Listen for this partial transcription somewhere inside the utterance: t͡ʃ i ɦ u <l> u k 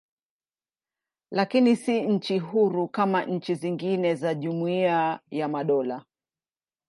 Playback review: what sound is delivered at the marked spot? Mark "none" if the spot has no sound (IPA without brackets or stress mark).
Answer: ɾ